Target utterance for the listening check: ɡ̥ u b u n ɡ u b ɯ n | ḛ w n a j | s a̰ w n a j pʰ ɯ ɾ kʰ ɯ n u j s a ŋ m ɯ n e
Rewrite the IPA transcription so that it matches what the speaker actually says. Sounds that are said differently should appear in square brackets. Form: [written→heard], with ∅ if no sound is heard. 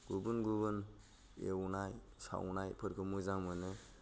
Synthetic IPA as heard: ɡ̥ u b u n ɡ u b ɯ n | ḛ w n a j | s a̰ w n a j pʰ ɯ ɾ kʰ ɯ [n→m] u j [s→z] a ŋ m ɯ n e